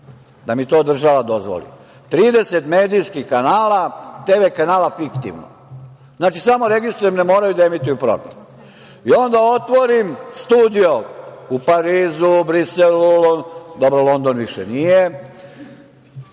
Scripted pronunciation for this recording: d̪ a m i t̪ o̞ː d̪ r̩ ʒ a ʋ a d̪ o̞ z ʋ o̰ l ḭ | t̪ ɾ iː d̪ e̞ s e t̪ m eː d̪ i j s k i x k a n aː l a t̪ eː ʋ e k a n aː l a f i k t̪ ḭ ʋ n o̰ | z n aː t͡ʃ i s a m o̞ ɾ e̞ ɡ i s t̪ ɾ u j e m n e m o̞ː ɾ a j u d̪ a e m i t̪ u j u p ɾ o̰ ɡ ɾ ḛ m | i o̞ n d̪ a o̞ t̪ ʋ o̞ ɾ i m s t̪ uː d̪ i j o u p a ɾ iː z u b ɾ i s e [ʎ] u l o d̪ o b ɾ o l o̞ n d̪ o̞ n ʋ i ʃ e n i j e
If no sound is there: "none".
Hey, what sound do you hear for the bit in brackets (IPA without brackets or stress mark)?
l